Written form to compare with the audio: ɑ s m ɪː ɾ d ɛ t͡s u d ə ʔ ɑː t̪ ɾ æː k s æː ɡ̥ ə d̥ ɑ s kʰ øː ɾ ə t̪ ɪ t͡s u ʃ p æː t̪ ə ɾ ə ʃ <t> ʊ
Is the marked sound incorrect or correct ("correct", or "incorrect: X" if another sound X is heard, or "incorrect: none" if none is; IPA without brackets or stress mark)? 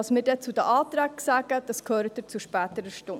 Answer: correct